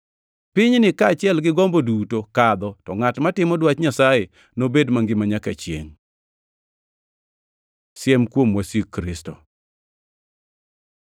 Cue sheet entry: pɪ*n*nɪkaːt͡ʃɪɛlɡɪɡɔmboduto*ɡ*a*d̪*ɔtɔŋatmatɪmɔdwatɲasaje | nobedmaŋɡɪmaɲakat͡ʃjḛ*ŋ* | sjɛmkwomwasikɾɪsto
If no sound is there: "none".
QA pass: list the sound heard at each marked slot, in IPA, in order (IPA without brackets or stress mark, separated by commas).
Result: ɲ, k, d̪, ŋ